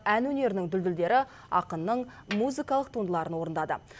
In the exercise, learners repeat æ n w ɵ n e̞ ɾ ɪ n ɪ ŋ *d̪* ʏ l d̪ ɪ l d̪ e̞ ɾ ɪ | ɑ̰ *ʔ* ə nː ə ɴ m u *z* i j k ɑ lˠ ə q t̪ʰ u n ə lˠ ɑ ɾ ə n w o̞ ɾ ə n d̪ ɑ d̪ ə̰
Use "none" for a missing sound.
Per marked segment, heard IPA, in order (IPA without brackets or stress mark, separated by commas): d̪, q, z